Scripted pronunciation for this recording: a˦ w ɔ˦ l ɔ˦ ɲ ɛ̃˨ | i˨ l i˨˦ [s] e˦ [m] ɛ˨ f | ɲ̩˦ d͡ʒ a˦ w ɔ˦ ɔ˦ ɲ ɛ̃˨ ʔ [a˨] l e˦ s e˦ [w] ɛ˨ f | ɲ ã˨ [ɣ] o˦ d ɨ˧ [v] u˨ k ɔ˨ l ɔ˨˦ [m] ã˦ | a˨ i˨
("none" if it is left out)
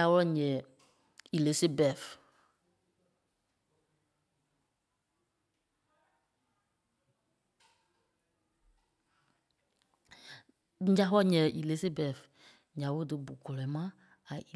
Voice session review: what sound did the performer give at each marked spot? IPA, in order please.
s, b, i˨, b, w, b, m

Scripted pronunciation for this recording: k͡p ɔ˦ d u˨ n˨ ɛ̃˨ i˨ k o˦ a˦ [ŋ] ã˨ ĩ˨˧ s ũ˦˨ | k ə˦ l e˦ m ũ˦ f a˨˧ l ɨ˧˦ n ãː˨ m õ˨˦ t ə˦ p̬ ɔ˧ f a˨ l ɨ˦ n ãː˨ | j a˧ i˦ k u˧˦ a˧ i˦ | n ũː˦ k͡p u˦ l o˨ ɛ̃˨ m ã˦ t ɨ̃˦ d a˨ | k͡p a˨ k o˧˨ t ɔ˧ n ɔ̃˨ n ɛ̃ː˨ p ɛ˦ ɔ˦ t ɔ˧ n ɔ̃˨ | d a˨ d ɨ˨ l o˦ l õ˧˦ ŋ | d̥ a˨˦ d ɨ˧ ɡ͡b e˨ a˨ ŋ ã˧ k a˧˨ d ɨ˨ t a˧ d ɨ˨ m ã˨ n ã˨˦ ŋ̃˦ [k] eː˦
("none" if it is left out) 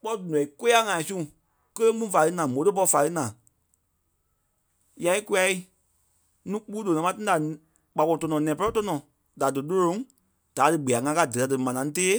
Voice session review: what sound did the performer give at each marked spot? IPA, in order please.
ŋ, t

